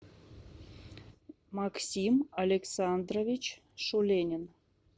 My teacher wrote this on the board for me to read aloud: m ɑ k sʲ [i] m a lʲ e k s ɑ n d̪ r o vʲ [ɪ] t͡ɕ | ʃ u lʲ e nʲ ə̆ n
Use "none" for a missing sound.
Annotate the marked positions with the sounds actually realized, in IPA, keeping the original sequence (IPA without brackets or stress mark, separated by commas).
i, i